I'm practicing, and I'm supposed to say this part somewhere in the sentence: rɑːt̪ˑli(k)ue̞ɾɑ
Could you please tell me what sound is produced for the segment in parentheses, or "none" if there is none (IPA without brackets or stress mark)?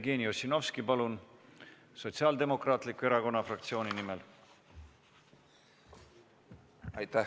k